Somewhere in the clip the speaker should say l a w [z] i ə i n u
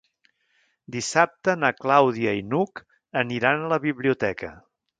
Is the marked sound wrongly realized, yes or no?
yes